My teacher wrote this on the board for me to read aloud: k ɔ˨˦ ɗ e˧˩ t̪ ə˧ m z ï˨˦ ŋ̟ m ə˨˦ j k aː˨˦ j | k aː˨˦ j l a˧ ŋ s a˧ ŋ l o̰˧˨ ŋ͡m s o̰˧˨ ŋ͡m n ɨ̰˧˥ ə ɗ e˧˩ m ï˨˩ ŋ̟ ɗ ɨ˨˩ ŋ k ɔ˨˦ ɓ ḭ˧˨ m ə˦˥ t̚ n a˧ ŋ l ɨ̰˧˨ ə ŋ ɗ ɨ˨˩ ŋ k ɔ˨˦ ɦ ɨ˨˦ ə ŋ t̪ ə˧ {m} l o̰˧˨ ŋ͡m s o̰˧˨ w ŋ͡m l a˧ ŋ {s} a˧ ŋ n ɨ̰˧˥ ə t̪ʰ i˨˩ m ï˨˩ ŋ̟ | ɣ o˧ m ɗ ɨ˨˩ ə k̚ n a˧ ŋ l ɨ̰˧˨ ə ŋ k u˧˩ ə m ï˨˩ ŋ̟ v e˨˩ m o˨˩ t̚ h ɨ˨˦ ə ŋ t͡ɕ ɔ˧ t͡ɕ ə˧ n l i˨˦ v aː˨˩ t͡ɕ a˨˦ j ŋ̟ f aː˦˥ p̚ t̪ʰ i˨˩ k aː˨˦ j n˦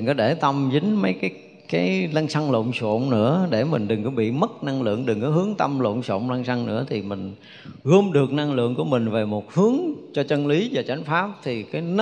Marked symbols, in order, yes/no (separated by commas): yes, yes